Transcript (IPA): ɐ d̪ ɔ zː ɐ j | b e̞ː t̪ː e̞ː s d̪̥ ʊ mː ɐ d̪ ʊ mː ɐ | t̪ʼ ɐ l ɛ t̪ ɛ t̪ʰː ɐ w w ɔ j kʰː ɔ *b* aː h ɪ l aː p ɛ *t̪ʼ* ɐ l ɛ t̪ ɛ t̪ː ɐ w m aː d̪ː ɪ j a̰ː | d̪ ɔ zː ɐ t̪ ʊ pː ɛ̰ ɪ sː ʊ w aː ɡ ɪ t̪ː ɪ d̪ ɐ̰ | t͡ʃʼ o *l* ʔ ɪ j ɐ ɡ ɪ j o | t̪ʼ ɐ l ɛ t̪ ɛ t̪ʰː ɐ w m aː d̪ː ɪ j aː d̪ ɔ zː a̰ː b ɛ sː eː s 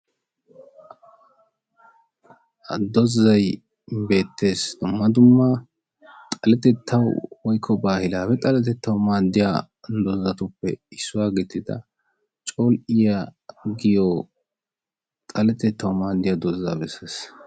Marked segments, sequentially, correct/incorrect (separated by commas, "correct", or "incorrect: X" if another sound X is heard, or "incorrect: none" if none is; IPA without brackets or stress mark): correct, correct, correct